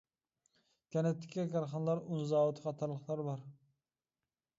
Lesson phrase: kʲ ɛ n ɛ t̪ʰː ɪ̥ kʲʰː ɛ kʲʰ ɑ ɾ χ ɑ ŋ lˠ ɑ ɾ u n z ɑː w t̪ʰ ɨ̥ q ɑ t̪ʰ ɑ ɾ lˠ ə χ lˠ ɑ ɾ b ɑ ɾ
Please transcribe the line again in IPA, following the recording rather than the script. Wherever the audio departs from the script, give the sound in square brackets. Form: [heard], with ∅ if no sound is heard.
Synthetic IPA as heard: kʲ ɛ n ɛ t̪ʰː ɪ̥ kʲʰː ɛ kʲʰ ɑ ɾ χ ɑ [n] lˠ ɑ ɾ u n z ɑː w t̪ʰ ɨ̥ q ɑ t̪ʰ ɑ ɾ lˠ ə χ lˠ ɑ ɾ b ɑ ɾ